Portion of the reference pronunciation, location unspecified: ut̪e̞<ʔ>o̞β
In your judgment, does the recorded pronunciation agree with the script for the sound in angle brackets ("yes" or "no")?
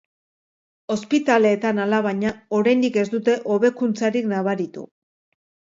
yes